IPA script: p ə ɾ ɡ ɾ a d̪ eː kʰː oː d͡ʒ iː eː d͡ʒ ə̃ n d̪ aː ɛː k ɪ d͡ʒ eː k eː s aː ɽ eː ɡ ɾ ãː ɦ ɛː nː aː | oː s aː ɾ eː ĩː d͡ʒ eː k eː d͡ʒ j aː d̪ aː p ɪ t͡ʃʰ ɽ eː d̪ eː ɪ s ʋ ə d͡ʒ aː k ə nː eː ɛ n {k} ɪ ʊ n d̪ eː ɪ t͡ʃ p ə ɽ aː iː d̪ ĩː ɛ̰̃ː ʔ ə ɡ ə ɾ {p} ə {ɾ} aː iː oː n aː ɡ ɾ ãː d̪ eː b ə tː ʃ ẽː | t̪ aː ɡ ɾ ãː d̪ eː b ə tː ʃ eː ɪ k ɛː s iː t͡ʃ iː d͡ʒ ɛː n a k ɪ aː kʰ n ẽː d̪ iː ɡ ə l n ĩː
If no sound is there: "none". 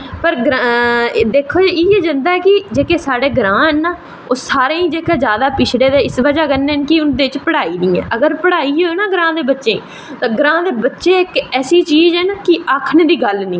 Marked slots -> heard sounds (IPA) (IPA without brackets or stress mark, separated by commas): k, p, ɽ